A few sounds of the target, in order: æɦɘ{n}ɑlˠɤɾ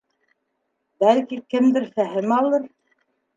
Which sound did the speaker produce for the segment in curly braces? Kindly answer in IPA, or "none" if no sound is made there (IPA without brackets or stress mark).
m